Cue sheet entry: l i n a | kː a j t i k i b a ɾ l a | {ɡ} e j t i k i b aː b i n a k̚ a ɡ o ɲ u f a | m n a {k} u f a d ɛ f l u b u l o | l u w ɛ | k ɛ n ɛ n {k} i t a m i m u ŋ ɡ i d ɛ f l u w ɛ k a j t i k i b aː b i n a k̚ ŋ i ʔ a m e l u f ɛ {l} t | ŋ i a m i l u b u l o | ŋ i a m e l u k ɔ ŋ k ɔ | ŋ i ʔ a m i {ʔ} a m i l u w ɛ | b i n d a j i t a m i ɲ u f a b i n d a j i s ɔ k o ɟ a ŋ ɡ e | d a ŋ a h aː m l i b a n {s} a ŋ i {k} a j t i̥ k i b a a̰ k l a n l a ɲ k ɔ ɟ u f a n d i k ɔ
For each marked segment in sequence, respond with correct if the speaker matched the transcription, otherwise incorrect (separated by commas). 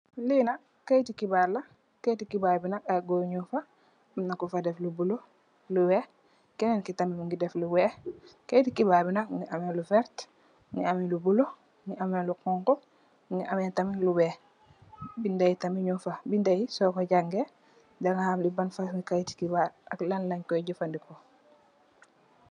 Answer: incorrect, correct, correct, incorrect, incorrect, incorrect, correct